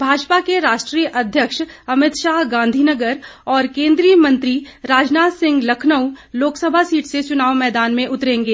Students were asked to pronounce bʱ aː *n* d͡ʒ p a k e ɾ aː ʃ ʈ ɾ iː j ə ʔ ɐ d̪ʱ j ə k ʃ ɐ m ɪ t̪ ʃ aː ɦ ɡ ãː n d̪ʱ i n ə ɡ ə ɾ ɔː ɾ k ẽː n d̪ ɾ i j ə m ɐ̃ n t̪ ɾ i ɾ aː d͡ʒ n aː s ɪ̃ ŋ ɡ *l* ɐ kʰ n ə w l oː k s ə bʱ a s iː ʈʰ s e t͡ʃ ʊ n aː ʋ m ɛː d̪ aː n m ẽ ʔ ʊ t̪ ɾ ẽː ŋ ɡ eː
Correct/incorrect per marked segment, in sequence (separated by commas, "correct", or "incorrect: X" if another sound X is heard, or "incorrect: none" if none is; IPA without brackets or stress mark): incorrect: none, correct